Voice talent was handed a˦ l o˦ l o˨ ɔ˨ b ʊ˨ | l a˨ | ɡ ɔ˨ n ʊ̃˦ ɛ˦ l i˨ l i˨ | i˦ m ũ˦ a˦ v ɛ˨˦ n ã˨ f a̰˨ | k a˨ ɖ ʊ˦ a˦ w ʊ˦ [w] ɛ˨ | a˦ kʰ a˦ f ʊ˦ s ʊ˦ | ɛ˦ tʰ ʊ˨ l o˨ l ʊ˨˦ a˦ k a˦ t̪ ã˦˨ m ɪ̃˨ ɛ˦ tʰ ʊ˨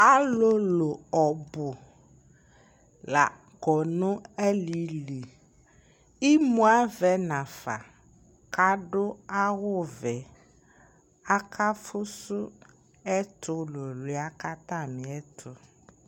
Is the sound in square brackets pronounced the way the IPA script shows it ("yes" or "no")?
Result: no